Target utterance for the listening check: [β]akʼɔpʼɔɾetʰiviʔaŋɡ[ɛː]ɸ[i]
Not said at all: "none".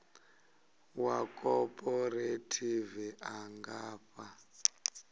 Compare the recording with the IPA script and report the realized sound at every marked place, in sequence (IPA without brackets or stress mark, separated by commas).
w, aː, a